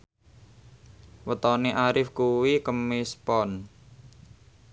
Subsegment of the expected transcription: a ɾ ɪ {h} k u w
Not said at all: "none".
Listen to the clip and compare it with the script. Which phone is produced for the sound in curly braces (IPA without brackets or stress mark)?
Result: f